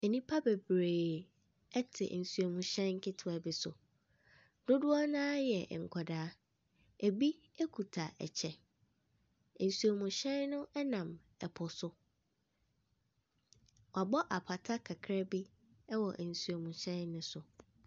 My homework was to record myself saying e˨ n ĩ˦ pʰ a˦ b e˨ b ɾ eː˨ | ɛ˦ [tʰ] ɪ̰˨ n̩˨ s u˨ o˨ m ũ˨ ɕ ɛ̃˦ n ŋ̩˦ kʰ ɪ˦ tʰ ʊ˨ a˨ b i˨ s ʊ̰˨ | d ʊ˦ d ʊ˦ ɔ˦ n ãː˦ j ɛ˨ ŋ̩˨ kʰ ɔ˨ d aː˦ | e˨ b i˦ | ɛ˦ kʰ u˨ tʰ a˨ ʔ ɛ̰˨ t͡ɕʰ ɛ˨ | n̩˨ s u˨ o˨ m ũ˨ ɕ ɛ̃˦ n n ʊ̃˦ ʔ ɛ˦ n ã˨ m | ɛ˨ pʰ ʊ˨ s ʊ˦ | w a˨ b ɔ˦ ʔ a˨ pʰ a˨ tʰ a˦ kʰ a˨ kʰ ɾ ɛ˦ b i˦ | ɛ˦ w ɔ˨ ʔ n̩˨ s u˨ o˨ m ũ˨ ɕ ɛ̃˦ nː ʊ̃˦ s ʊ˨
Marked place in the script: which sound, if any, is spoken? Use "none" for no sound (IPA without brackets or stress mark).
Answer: tʰ